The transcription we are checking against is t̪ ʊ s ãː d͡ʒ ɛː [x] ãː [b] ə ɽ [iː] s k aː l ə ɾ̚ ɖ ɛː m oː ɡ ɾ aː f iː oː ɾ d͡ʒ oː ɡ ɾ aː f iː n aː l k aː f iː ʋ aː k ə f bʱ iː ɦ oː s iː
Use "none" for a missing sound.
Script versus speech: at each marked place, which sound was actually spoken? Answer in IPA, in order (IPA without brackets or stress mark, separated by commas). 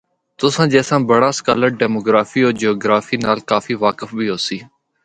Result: s, b, aː